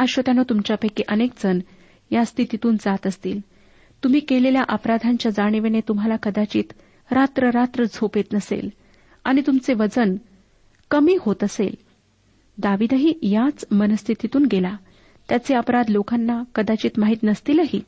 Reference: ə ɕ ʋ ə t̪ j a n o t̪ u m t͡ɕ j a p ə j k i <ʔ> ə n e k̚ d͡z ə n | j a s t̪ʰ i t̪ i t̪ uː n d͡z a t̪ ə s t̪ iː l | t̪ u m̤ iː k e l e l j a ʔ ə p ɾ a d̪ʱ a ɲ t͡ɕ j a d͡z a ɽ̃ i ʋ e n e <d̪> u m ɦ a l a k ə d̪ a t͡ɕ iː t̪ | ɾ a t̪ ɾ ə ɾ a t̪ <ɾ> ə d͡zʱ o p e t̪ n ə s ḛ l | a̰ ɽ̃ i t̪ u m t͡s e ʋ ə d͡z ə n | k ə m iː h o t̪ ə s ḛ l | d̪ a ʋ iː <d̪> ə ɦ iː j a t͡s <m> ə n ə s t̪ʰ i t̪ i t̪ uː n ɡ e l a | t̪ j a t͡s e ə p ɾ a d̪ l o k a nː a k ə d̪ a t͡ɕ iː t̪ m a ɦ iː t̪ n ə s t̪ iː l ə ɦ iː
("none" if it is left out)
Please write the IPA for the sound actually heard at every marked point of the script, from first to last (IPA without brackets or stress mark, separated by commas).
ʔ, t̪, ɾ, d̪, m